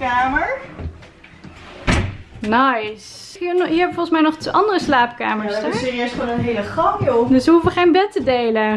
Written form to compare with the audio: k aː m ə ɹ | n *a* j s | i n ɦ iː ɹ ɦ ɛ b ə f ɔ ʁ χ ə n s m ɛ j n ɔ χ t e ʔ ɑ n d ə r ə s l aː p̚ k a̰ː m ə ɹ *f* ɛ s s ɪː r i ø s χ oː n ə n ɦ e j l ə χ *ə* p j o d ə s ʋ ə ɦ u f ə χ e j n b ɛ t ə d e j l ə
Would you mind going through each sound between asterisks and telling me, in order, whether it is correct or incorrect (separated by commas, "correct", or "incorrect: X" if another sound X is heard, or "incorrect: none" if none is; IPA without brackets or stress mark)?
correct, incorrect: s, incorrect: ɑ